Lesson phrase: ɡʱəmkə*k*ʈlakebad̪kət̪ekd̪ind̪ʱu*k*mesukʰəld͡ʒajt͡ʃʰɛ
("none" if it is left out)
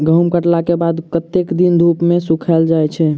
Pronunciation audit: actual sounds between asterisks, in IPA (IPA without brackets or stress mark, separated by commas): none, p